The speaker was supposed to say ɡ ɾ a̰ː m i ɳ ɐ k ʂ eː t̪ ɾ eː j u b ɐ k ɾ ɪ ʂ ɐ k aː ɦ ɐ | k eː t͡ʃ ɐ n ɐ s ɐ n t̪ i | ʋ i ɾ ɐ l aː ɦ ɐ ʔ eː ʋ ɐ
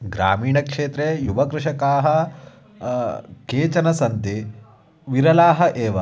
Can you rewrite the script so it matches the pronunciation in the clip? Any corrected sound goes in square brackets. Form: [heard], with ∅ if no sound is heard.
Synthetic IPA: ɡ ɾ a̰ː m [iː] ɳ ɐ k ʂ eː t̪ ɾ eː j u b ɐ k ɾ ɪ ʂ ɐ k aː ɦ ɐ | k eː t͡ʃ ɐ n ɐ s ɐ n t̪ i | ʋ i ɾ ɐ l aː ɦ ɐ ʔ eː ʋ ɐ